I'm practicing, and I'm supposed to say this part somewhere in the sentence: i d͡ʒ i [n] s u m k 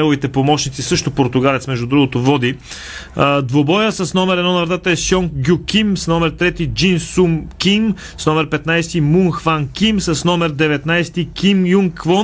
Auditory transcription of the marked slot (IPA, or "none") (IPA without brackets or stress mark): n